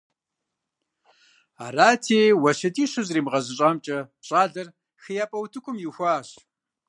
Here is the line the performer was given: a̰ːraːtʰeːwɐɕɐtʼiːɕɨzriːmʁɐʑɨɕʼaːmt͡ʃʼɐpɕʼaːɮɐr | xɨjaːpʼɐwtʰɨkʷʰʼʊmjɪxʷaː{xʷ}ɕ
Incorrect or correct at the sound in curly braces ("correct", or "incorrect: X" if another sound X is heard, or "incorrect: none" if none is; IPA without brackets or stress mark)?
incorrect: none